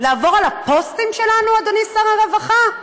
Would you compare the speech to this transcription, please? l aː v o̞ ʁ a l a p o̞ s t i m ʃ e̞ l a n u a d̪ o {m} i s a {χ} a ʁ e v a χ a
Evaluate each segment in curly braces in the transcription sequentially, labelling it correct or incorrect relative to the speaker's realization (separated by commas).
incorrect, incorrect